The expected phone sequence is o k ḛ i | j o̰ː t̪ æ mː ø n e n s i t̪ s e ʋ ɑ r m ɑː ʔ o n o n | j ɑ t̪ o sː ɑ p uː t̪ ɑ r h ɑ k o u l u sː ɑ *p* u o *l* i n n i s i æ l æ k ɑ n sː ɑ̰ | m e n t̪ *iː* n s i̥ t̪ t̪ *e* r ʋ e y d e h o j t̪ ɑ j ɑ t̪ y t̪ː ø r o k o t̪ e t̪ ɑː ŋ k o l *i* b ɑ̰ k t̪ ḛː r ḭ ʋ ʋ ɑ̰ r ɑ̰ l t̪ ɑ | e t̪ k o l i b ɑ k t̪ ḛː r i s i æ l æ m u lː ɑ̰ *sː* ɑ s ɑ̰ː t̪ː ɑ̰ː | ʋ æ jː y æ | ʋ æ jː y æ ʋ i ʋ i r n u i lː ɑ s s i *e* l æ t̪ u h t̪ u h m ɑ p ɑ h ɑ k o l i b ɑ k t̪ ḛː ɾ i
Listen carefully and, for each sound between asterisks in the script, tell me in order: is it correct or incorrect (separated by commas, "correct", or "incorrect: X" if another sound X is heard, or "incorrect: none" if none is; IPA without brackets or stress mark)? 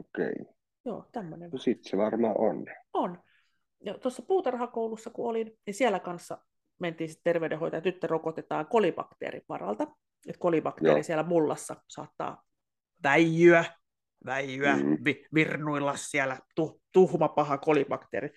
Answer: incorrect: k, correct, correct, correct, correct, correct, incorrect: æ